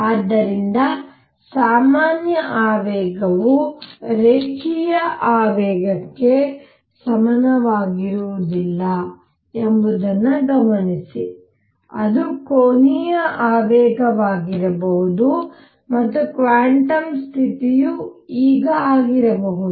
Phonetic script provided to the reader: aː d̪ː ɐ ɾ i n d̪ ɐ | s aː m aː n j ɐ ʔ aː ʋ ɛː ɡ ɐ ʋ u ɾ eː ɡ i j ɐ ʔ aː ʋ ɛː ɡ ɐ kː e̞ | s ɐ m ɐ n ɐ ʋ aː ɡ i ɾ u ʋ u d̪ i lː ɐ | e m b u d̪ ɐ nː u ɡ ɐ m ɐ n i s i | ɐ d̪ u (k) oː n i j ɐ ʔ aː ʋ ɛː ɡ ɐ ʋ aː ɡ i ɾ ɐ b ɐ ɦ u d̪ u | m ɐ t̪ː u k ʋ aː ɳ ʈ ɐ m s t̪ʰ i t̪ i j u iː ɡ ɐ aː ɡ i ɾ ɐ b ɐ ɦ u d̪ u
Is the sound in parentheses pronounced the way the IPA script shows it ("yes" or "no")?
yes